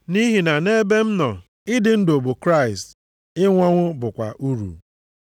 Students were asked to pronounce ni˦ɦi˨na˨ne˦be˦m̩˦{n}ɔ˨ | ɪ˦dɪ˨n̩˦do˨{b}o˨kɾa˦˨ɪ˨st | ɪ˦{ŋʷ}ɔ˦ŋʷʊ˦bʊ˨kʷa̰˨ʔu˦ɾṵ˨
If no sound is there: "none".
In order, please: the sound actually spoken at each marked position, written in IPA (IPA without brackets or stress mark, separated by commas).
n, b, ŋʷ